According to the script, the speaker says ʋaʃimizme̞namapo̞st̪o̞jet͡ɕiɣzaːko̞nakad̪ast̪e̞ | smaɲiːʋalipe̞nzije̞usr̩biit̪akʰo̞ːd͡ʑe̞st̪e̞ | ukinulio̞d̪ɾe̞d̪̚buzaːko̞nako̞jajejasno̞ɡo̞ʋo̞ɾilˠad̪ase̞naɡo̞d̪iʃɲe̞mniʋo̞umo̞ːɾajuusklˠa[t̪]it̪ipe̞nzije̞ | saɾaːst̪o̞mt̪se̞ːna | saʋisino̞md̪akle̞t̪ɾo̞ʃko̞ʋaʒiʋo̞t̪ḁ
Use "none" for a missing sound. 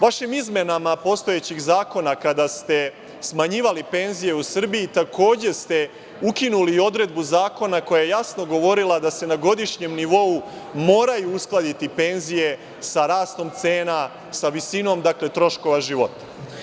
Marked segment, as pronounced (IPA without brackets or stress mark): d̪